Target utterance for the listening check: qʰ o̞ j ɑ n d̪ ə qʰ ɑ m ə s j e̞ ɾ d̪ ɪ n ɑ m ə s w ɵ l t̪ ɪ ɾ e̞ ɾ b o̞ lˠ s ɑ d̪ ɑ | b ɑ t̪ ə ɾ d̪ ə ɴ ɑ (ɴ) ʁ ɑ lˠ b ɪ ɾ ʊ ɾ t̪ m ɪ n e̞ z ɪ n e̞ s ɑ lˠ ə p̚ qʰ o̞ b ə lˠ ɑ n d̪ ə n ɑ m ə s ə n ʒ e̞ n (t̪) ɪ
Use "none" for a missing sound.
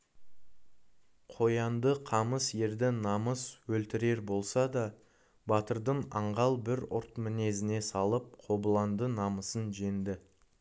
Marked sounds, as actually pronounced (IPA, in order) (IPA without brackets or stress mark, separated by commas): ɴ, d̪